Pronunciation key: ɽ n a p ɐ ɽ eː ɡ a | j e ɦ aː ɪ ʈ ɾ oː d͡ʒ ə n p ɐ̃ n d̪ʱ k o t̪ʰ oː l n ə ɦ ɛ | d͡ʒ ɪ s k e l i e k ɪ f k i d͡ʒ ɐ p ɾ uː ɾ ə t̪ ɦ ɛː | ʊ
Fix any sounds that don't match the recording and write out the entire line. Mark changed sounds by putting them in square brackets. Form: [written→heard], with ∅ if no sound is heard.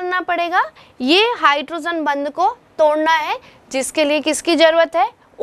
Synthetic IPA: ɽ n a p ɐ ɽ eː ɡ a | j e ɦ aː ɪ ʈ ɾ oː d͡ʒ ə n [p→b] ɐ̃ n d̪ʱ k o [t̪ʰ→t̪] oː [l→ɽ] n [ə→a] ɦ ɛ | d͡ʒ ɪ s k e l i e k ɪ [f→s] k i d͡ʒ ɐ [p→∅] ɾ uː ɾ ə t̪ ɦ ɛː | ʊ

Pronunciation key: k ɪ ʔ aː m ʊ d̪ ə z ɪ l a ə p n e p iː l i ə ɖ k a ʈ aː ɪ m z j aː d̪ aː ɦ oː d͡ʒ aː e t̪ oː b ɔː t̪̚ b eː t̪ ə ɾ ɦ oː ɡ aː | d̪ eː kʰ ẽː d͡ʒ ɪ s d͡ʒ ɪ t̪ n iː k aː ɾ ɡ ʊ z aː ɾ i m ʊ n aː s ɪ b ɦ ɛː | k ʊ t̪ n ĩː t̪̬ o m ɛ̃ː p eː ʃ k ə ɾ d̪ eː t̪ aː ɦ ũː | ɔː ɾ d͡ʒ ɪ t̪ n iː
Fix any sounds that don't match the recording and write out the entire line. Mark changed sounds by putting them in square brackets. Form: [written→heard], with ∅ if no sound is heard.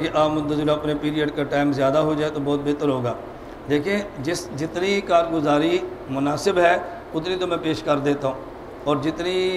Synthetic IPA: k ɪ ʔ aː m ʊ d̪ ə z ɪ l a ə p n e p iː [l→ɾ] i ə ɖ k a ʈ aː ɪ m z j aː d̪ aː ɦ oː d͡ʒ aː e t̪ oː b ɔː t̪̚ b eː t̪ ə ɾ ɦ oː ɡ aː | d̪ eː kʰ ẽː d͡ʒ ɪ s d͡ʒ ɪ t̪ n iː k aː ɾ ɡ ʊ z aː ɾ i m ʊ n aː s ɪ b ɦ ɛː | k ʊ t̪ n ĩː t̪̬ o m ɛ̃ː p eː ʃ k ə ɾ d̪ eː t̪ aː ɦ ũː | ɔː ɾ d͡ʒ ɪ t̪ n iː

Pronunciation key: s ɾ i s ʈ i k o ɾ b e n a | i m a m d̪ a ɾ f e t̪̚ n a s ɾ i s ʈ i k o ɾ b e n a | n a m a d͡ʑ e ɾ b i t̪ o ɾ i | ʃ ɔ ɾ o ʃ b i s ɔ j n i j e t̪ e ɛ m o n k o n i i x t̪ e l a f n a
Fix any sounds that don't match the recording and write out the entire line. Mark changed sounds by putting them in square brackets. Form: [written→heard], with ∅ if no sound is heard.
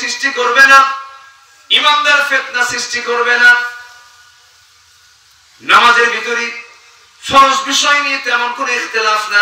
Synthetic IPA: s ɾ i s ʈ i k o ɾ b e n a | i m a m d̪ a ɾ f e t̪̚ n a s ɾ i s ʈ i k o ɾ b e n a | n a m a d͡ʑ e ɾ b i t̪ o ɾ i | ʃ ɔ ɾ o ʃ b i [s→ʃ] ɔ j n i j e t̪ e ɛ m o n k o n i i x t̪ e l a f n a

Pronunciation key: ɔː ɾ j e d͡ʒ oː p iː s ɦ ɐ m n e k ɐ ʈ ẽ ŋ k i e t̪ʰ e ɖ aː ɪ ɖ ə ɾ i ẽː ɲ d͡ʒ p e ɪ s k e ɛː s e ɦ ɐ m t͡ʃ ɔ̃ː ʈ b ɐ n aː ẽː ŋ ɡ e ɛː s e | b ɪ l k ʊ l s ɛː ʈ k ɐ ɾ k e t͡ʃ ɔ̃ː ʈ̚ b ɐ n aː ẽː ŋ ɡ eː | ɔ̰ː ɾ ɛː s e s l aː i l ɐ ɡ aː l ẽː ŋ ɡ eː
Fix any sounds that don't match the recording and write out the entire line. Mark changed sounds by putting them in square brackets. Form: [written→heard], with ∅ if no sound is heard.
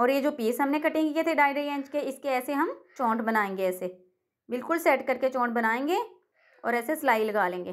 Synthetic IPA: ɔː ɾ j e d͡ʒ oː p iː s ɦ ɐ m n e k ɐ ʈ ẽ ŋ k i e t̪ʰ e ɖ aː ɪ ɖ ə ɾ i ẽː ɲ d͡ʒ [p→k] e ɪ s k e ɛː s e ɦ ɐ m t͡ʃ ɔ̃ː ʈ b ɐ n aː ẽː ŋ ɡ e ɛː s e | b ɪ l k ʊ l s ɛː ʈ k ɐ ɾ k e t͡ʃ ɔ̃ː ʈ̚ b ɐ n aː ẽː ŋ ɡ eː | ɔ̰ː ɾ ɛː s e s l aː i l ɐ ɡ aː l ẽː ŋ ɡ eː

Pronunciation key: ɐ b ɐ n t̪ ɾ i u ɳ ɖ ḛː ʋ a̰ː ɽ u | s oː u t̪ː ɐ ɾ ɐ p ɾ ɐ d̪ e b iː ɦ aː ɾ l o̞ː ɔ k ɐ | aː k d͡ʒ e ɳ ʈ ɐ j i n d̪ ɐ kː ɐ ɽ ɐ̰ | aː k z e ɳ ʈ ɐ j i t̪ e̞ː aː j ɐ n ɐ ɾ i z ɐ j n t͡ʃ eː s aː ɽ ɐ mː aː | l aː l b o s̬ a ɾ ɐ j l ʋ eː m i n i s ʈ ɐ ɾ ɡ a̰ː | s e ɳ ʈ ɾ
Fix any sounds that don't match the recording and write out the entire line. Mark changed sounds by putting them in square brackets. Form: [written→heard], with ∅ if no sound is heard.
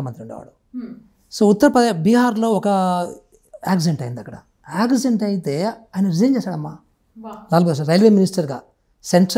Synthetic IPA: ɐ [b→m] ɐ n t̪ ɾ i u ɳ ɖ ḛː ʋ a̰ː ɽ u | s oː u t̪ː ɐ ɾ ɐ p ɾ ɐ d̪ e b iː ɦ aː ɾ l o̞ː ɔ k ɐ | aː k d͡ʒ e ɳ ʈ ɐ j i n d̪ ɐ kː ɐ ɽ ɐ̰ | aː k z e ɳ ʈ ɐ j i t̪ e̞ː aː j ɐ n ɐ ɾ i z ɐ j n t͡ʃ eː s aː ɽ ɐ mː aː | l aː l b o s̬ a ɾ ɐ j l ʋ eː m i n i s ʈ ɐ ɾ ɡ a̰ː | s e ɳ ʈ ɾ

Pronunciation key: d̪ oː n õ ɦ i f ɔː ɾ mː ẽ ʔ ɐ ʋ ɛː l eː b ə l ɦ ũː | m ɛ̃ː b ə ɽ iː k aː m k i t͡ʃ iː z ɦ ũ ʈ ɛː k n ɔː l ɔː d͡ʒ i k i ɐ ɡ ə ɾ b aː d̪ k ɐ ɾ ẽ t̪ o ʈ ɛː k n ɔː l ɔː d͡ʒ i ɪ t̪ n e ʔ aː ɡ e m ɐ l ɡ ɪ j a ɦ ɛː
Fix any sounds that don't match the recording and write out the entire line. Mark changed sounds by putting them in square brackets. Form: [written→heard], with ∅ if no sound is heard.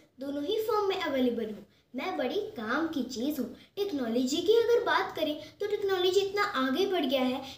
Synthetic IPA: d̪ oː n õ ɦ i f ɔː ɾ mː ẽ ʔ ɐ ʋ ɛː l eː b ə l ɦ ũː | m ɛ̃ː b [ə→ɐ] ɽ [iː→i] k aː m k i t͡ʃ iː z ɦ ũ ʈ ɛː k n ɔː l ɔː d͡ʒ i k i ɐ ɡ ə ɾ b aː [d̪→t̪] k ɐ ɾ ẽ t̪ o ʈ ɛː k n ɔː l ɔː d͡ʒ i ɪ t̪ n [e→a] ʔ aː ɡ e [m→b] ɐ [l→ɽ] ɡ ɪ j a ɦ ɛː

